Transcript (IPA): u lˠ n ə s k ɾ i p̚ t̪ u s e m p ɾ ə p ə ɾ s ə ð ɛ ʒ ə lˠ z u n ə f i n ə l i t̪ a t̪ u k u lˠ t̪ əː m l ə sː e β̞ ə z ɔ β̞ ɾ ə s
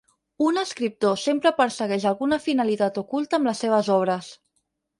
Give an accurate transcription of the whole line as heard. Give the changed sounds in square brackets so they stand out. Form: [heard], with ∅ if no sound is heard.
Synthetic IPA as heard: u [∅] n ə s k ɾ i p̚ t̪ [o] s e m p ɾ ə p ə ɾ s ə [ɣ] ɛ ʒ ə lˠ [ɣ] u n ə f i n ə l i t̪ a t̪ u k u lˠ t̪ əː m l ə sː e β̞ ə z ɔ β̞ ɾ ə s